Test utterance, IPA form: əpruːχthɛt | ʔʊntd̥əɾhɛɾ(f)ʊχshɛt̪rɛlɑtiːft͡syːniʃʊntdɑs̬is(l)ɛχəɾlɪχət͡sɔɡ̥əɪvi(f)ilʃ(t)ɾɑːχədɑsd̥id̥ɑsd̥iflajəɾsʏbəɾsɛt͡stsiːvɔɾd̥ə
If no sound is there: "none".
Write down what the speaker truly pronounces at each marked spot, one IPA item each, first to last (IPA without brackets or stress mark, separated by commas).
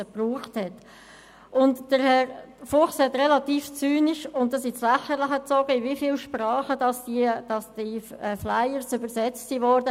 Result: f, l, f, p